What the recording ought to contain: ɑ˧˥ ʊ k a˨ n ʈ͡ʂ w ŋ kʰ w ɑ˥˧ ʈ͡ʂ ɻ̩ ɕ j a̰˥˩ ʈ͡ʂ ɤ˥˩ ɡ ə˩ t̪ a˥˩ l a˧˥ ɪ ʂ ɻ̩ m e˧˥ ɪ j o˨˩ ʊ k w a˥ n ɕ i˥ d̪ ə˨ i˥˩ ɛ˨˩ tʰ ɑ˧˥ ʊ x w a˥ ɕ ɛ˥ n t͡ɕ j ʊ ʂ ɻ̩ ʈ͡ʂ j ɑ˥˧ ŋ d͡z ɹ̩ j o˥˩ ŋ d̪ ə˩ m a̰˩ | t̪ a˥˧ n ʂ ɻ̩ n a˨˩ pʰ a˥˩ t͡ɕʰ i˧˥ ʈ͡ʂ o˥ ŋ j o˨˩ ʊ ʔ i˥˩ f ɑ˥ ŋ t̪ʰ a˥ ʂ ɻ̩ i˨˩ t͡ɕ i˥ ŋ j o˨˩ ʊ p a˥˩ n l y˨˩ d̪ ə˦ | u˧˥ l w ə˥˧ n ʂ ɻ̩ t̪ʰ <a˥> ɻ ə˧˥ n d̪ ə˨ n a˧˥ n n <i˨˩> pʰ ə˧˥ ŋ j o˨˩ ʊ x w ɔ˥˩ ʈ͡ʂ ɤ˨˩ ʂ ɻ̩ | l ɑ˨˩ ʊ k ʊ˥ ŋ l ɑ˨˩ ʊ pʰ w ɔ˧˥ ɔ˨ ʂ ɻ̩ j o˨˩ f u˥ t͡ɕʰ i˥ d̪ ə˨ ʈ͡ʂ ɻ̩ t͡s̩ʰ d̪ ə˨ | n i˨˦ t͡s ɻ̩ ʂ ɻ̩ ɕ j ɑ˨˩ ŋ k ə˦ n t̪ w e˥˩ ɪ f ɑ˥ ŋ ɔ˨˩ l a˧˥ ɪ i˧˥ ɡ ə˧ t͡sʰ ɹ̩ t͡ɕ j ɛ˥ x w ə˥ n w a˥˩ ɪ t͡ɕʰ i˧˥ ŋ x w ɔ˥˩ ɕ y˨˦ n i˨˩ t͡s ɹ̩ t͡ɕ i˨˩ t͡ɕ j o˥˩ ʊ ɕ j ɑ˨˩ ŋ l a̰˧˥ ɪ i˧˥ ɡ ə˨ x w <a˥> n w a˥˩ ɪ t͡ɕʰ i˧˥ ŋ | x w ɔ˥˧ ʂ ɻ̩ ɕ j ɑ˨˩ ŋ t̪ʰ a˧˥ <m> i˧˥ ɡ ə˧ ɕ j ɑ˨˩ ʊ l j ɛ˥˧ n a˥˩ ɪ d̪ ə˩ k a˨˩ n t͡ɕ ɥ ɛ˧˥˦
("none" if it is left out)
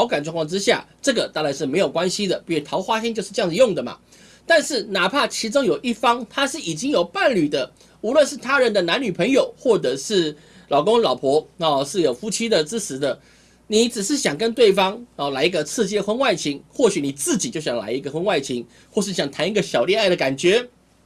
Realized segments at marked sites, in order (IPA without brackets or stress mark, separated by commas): a˥, y˨˩, ə˥, n